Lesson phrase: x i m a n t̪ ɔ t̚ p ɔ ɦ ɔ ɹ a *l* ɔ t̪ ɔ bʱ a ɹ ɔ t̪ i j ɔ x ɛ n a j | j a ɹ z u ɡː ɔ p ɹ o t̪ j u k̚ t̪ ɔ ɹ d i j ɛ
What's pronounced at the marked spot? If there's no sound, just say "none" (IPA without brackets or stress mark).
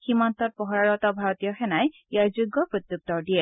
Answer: ɹ